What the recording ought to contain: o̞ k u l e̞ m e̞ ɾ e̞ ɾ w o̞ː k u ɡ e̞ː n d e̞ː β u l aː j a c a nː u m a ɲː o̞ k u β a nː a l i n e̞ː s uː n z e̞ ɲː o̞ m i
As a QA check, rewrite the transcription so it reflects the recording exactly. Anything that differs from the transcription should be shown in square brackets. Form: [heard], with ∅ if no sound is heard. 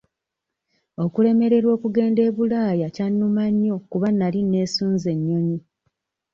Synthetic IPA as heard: o̞ k u l e̞ m e̞ ɾ e̞ ɾ w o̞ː k u ɡ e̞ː n d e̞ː β u l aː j a c a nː u m a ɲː o̞ k u β a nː a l i n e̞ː s uː n z e̞ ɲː o̞ [ɲ] i